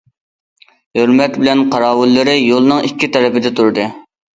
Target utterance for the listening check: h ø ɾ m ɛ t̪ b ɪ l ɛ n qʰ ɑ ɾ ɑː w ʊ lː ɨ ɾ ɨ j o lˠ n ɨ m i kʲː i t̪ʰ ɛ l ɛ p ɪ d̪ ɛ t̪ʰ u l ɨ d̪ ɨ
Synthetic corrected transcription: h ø ɾ m ɛ t̪ b ɪ l ɛ n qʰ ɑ ɾ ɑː w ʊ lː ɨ ɾ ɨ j o lˠ n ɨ ŋ i kʲː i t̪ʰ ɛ ɾ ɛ p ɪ d̪ ɛ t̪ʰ u ɾ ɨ d̪ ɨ